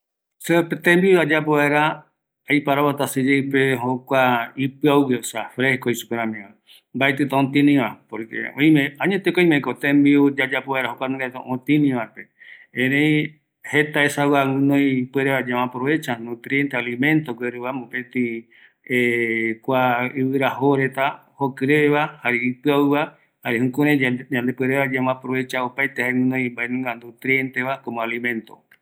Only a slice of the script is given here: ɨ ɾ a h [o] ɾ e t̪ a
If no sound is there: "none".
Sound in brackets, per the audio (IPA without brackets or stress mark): o